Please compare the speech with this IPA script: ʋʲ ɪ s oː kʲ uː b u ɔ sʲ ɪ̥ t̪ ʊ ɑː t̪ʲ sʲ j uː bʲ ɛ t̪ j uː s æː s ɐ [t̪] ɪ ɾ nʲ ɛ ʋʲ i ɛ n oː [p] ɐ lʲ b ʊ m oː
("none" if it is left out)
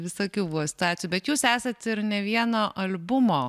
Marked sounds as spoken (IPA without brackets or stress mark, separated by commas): t̪, ʔ